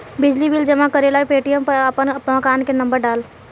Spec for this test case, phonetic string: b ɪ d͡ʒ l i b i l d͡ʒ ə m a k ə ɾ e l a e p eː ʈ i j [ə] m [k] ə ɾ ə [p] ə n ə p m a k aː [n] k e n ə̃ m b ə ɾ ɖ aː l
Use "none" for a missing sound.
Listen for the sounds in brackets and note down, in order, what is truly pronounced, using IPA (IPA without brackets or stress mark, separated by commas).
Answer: ə, p, p, n